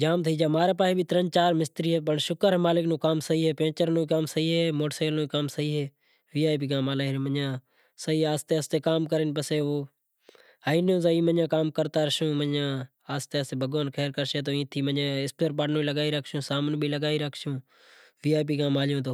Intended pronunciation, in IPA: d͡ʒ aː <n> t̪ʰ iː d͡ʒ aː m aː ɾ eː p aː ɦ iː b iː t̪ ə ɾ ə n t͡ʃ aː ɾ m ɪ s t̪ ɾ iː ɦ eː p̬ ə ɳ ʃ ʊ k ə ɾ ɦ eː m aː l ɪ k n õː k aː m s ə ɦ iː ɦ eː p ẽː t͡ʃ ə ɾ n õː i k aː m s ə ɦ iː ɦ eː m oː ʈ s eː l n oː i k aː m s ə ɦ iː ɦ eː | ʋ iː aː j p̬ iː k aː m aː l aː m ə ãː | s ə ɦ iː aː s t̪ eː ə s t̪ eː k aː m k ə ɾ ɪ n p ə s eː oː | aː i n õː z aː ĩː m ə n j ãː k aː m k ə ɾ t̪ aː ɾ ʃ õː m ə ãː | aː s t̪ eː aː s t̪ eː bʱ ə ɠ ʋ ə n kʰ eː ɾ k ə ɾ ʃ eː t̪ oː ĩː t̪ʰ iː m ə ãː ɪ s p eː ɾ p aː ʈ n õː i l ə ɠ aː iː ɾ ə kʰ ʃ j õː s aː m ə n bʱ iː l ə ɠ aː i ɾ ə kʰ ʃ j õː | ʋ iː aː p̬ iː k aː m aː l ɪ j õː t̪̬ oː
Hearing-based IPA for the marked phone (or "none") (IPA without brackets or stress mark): m